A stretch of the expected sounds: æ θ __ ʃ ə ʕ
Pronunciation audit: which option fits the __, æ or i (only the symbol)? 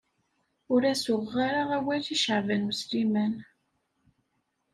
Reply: i